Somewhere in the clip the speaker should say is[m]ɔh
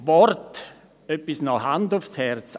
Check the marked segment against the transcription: incorrect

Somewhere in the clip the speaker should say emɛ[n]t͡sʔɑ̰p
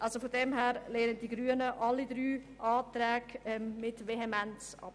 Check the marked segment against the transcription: correct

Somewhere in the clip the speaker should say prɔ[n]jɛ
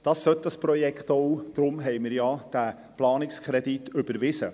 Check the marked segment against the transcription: incorrect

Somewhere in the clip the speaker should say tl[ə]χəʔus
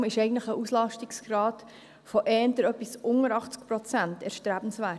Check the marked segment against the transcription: correct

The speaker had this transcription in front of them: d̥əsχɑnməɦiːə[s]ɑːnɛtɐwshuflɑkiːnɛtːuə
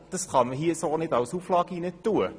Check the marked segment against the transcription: correct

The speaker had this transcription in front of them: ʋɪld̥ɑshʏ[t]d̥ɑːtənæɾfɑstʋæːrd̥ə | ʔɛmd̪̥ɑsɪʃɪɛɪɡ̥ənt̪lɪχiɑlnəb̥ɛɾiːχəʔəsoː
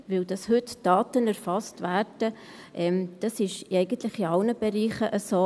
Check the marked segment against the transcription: correct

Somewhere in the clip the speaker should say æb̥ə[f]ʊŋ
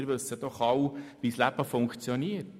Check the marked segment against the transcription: correct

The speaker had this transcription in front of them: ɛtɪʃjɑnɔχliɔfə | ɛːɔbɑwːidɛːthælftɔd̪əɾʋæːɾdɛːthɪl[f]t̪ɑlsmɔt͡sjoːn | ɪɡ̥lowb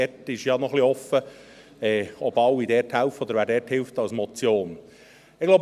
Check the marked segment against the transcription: correct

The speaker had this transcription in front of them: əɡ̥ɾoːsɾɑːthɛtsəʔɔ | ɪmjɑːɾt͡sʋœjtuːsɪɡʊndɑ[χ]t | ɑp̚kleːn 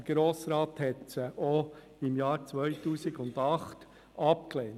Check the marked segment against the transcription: correct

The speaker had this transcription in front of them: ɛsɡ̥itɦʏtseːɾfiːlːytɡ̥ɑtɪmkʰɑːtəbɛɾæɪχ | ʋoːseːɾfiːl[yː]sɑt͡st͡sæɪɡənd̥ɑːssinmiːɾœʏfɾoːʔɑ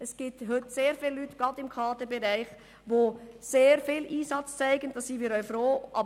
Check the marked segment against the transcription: incorrect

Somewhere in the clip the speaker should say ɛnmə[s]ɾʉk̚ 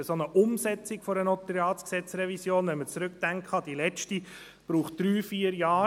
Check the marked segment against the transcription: incorrect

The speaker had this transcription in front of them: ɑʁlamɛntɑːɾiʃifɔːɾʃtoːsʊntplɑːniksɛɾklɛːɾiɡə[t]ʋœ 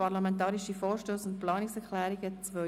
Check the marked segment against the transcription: incorrect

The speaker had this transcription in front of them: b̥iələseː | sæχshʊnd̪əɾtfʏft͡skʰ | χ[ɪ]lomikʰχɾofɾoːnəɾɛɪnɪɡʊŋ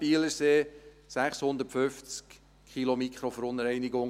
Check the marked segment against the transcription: incorrect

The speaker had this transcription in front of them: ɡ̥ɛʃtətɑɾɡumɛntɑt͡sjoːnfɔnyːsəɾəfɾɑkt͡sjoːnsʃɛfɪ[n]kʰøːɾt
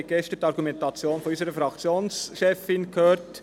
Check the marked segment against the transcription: correct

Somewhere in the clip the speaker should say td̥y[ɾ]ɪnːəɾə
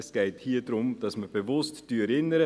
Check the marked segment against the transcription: correct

